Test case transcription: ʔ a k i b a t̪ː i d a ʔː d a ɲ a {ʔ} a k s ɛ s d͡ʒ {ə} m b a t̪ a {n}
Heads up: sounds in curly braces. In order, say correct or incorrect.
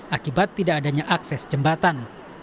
correct, correct, correct

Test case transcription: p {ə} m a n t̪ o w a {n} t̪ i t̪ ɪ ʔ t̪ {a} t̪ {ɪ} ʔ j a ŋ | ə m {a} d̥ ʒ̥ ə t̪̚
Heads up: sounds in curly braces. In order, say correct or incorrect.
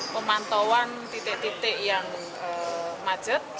correct, correct, incorrect, correct, correct

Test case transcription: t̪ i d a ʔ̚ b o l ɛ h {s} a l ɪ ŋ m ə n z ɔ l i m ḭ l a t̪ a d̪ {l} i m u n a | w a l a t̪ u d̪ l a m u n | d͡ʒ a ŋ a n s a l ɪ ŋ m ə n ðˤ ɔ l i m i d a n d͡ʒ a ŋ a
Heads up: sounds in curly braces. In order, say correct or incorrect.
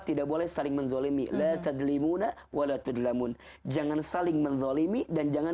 correct, correct

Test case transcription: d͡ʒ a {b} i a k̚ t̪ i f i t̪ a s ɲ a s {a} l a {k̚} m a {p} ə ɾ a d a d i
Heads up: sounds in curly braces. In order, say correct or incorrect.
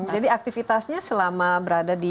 incorrect, incorrect, incorrect, incorrect

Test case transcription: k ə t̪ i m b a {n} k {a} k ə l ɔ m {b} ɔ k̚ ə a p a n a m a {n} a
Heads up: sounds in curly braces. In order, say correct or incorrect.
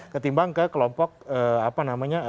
incorrect, incorrect, incorrect, incorrect

